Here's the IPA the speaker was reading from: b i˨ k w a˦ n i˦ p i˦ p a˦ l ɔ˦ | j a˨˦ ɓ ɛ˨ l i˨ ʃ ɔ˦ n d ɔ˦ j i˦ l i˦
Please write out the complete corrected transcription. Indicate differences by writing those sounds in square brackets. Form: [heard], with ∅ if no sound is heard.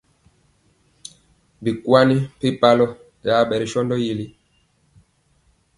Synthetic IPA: b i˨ k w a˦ n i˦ p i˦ p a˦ l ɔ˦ | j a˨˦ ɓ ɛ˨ [ɾ] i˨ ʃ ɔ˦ n d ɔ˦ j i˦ l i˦